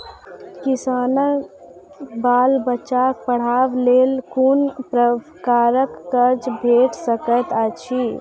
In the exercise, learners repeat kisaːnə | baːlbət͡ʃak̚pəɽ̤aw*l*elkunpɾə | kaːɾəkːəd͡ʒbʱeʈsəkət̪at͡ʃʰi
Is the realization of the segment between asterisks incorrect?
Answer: no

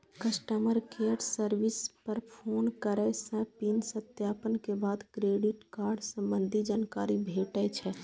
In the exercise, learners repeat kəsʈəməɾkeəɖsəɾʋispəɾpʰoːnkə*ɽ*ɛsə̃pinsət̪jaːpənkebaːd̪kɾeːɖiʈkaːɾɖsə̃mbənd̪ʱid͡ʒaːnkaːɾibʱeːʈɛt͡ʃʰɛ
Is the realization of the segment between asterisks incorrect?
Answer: yes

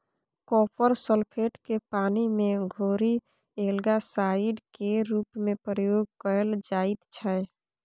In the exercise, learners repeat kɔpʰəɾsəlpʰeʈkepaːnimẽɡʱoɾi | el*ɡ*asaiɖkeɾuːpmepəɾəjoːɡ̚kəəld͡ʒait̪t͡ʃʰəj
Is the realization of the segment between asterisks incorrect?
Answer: no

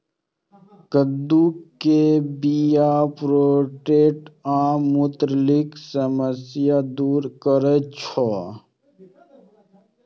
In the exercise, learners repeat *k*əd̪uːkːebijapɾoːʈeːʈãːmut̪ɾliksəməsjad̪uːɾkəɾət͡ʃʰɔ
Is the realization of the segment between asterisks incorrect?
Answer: no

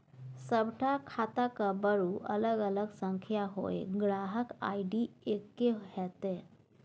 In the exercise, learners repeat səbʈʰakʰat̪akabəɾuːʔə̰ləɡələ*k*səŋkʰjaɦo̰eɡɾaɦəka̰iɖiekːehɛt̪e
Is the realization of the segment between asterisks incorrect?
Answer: yes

